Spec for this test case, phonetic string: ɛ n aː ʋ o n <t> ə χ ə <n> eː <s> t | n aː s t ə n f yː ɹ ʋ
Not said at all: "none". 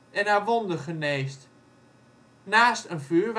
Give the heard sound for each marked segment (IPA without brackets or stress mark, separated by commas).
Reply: d, n, s